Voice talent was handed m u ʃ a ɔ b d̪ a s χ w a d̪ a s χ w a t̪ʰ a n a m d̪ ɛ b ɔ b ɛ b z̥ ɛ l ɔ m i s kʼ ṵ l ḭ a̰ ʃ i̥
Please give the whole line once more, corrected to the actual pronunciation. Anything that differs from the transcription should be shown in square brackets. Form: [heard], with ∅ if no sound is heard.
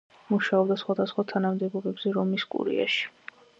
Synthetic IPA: m u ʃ a ɔ b d̪ a s χ w a d̪ a s χ w a t̪ʰ a n a m d̪ ɛ b ɔ b ɛ b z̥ ɛ [ɾ] ɔ m i s kʼ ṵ [ɾ] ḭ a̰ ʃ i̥